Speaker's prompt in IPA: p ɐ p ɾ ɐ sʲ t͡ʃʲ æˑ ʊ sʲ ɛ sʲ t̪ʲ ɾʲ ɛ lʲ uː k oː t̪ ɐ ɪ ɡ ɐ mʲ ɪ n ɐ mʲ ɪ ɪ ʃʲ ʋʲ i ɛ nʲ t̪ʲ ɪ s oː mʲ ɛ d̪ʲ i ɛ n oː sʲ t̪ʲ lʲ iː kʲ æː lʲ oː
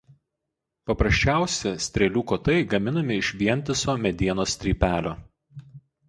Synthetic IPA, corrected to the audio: p ɐ p ɾ ɐ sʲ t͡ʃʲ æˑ ʊ sʲ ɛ sʲ t̪ʲ ɾʲ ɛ lʲ uː k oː t̪ ɐ ɪ ɡ ɐ mʲ ɪ n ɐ mʲ ɪ ɪ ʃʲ ʋʲ i ɛ nʲ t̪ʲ ɪ s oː mʲ ɛ d̪ʲ i ɛ n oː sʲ t̪ʲ ɾʲ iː pʲ æː lʲ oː